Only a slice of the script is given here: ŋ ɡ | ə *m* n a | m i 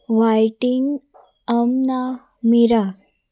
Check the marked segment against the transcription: correct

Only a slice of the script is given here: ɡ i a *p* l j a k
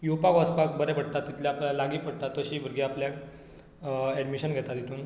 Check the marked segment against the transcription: correct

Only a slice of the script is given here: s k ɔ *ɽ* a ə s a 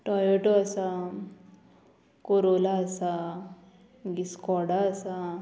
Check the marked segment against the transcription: correct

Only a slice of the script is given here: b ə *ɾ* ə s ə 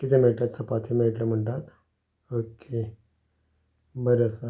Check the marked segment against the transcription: correct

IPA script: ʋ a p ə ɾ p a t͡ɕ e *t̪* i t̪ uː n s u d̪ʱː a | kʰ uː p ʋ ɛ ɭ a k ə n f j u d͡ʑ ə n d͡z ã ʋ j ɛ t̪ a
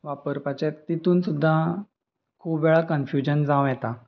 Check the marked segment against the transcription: correct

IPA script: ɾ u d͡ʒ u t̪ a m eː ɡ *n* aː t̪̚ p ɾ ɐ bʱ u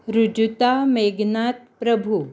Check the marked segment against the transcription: correct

